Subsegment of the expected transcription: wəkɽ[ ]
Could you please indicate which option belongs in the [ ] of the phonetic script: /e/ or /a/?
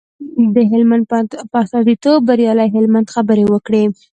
e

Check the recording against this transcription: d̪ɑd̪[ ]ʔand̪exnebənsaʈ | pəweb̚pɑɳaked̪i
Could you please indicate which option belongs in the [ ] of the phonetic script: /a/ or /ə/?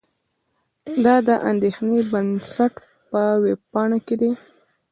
ə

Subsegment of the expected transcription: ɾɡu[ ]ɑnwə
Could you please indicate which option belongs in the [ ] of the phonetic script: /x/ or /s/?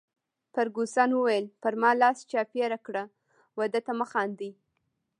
s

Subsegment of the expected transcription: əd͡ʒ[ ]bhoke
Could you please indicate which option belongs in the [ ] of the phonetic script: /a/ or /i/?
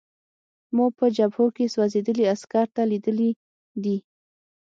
a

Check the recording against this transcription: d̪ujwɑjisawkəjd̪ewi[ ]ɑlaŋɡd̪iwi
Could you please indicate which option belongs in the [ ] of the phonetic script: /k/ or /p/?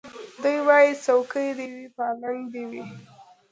p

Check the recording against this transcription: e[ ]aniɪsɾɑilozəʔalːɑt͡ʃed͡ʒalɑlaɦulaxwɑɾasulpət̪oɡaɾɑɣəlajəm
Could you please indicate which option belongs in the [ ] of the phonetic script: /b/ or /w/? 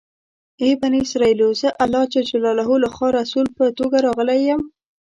b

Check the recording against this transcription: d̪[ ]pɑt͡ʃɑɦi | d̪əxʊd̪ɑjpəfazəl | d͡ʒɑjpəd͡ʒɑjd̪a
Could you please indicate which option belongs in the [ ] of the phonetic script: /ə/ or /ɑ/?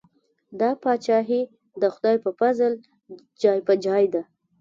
ɑ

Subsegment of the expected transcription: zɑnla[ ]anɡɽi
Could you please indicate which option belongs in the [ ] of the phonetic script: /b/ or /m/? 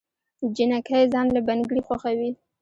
b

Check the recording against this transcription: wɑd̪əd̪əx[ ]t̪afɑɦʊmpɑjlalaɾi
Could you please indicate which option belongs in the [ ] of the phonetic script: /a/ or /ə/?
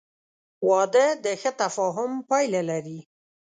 ə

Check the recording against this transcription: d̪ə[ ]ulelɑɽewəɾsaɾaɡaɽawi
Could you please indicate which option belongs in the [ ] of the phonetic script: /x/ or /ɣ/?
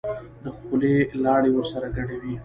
x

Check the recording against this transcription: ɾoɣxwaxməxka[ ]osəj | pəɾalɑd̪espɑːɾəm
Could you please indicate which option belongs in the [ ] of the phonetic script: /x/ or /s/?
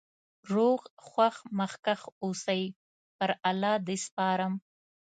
x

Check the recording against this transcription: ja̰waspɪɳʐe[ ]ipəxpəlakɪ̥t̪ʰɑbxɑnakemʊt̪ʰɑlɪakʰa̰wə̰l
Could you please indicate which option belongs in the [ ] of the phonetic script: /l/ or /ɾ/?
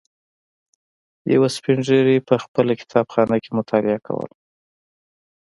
ɾ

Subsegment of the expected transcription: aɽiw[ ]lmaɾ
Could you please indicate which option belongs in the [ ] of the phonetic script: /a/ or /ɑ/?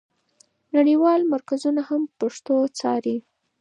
ɑ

